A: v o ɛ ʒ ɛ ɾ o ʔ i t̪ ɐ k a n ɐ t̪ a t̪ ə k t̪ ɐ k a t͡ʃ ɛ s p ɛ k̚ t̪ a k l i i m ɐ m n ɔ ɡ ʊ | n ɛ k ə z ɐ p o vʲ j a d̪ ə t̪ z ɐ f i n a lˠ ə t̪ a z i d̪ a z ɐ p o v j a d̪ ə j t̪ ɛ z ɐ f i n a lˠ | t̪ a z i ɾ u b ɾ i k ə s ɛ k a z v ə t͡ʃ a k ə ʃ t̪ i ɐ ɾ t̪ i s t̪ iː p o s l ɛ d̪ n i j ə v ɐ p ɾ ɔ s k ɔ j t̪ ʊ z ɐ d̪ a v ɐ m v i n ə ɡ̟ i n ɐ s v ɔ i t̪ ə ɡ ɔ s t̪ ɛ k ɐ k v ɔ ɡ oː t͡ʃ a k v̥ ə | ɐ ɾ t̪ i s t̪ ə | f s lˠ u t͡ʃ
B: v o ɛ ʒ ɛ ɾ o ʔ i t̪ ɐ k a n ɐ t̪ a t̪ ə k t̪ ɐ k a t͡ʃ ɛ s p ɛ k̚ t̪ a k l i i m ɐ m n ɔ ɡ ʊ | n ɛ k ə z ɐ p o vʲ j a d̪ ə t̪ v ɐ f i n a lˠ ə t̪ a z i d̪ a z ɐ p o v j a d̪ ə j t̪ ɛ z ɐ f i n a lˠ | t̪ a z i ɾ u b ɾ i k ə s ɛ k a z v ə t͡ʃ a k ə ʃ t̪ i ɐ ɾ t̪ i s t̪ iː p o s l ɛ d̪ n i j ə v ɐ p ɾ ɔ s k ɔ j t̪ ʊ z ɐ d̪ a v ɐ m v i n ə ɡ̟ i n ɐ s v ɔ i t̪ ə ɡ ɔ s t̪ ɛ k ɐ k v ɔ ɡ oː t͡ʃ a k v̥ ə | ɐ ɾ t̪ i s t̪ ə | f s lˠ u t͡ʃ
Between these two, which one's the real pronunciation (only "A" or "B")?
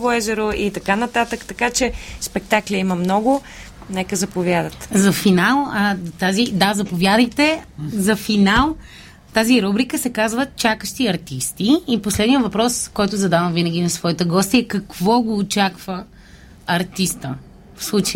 A